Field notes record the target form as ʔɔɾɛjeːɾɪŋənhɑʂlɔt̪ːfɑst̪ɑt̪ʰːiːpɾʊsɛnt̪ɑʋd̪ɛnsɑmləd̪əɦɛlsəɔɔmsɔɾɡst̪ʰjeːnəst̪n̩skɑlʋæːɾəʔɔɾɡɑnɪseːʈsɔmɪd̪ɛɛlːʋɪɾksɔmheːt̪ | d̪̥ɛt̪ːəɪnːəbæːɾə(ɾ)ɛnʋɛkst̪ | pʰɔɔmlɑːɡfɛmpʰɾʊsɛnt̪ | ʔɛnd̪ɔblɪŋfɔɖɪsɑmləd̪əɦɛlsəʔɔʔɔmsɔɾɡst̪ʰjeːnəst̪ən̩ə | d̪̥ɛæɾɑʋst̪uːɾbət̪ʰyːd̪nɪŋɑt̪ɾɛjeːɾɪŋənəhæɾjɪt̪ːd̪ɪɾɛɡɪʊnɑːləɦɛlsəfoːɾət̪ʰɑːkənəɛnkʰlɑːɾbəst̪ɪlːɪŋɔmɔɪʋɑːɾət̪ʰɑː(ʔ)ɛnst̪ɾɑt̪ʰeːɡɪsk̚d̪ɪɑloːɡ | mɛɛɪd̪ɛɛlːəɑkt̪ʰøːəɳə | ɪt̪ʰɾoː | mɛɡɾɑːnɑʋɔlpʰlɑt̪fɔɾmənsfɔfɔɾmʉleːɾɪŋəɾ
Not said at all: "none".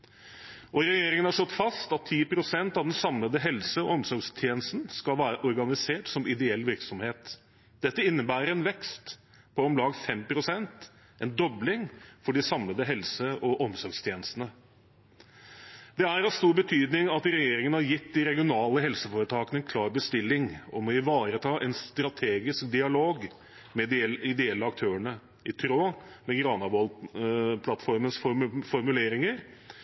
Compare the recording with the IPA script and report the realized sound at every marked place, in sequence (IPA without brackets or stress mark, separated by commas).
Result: ɾ, ʔ